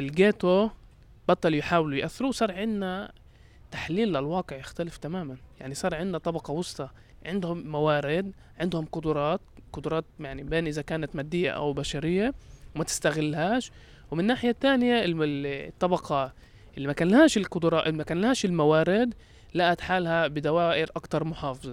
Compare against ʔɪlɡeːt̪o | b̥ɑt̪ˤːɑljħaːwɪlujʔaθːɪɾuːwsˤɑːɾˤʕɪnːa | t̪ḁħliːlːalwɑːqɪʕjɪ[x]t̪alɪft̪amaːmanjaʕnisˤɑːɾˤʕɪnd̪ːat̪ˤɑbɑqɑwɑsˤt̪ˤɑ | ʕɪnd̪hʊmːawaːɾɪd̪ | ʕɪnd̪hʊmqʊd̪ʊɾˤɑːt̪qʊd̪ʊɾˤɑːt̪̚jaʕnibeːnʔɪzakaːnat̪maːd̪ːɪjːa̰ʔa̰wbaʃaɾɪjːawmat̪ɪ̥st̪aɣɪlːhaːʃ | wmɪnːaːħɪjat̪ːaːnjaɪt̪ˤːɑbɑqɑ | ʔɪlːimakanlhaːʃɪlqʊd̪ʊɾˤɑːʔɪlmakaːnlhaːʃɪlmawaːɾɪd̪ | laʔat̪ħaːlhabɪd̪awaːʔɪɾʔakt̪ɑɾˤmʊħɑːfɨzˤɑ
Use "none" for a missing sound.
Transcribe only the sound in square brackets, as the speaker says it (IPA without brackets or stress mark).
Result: x